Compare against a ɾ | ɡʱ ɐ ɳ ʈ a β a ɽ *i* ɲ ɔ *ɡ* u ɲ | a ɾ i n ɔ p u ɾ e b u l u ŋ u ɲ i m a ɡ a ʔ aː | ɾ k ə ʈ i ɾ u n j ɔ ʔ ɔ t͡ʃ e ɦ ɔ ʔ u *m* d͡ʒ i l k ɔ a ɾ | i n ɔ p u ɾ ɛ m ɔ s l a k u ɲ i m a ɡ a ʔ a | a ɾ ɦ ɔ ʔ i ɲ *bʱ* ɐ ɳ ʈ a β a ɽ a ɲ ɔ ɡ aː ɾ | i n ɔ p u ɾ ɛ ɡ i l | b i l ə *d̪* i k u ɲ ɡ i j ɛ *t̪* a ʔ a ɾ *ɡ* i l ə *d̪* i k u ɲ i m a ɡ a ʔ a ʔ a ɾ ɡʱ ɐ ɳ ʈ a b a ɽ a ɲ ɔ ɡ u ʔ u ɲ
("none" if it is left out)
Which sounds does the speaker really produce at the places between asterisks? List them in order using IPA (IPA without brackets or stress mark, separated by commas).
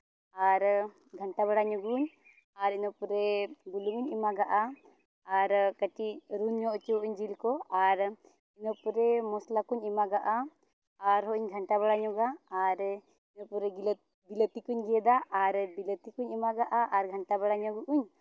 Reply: a, ɡ, ɲ, ɡʱ, t̪, d̪, b, t̪